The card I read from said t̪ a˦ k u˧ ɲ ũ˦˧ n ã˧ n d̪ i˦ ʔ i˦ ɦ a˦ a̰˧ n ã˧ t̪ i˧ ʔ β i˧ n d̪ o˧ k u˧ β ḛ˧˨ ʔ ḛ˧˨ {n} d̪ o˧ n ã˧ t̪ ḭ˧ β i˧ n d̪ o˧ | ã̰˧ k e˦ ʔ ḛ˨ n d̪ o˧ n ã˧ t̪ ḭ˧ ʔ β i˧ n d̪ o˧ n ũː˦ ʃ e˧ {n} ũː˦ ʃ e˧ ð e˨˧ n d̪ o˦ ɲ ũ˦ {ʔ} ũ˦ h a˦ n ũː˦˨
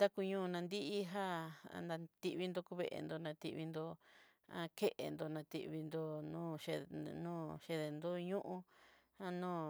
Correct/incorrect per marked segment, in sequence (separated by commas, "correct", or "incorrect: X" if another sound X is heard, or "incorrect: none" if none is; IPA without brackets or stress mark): correct, correct, correct